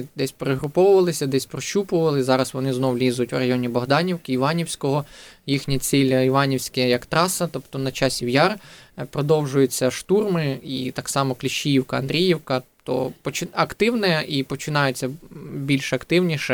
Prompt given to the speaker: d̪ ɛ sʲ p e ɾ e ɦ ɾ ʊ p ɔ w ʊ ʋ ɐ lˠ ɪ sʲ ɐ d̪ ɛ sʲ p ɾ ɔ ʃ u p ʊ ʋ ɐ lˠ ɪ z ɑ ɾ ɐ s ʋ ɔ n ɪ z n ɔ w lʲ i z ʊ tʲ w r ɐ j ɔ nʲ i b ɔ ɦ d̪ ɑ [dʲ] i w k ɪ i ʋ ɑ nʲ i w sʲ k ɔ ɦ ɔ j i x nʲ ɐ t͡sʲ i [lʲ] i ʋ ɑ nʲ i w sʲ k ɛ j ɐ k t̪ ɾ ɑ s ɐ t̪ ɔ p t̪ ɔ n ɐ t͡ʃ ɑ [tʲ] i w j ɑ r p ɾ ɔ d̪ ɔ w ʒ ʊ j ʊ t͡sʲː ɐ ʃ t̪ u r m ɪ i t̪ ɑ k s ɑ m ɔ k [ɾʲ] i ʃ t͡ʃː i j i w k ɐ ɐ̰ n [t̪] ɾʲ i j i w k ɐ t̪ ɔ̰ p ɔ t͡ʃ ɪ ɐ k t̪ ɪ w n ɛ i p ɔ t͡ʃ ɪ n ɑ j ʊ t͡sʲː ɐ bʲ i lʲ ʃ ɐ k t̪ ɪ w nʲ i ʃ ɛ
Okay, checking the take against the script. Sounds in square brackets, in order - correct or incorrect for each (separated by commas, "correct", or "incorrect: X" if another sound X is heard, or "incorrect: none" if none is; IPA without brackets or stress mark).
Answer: incorrect: nʲ, correct, incorrect: sʲ, incorrect: lʲ, incorrect: d̪